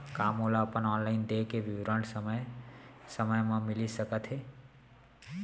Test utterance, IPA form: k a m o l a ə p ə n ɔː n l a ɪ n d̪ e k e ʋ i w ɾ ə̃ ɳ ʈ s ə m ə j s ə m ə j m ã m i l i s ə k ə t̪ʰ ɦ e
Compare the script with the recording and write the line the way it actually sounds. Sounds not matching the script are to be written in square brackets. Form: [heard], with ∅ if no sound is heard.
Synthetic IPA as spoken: k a m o l a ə p ə n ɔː n l a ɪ n d̪ e k e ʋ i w ɾ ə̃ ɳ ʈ s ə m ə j s ə m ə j m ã m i l i s ə k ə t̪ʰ ɦ e